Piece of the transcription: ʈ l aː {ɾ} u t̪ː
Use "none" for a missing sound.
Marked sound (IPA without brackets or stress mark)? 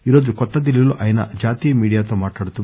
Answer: ɽ